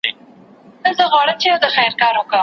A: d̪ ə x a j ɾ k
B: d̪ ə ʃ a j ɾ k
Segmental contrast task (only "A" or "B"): A